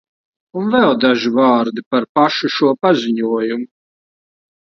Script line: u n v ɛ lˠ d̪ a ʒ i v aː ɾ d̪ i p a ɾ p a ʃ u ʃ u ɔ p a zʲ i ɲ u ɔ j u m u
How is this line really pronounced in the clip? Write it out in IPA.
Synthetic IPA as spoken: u n v ɛ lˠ d̪ a ʒ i v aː ɾ d̪ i p a ɾ p a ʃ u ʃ u ɔ p a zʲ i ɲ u ɔ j u m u